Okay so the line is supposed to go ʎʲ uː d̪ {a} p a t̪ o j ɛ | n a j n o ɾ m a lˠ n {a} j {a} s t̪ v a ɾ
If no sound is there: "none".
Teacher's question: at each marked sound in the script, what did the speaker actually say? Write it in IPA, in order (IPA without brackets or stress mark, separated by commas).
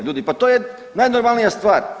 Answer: i, i, a